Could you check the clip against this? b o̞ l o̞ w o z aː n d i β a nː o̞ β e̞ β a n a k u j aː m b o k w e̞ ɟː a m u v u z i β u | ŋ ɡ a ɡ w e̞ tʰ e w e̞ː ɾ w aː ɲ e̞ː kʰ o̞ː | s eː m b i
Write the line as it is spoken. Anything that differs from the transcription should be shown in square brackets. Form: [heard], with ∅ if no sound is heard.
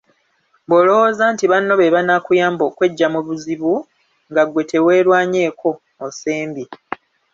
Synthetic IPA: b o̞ l o̞ w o z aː n [t] i β a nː o̞ β e̞ β a n a k u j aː m b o k w e̞ ɟː a m u [β] u z i β u | ŋ ɡ a ɡ w e̞ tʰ e w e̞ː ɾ w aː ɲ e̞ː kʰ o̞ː | s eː m b i